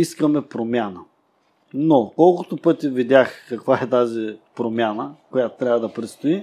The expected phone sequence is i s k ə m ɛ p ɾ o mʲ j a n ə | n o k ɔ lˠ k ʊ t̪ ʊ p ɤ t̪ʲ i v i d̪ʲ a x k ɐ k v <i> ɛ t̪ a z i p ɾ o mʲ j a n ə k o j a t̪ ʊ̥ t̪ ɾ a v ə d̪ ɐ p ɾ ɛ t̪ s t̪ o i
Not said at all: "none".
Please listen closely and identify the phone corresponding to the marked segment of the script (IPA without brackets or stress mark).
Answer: a